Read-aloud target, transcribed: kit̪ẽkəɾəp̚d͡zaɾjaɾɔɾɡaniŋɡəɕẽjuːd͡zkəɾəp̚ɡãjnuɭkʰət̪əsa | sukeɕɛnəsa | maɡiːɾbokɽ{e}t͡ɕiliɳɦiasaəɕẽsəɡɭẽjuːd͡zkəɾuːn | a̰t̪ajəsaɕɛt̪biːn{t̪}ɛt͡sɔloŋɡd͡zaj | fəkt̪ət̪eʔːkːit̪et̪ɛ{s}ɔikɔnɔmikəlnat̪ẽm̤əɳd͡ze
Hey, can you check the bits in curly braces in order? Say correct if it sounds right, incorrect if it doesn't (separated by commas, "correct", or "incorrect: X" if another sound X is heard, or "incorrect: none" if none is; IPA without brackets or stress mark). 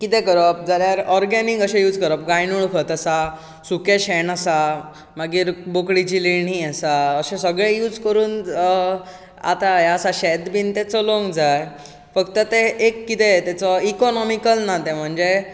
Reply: incorrect: i, correct, incorrect: t͡s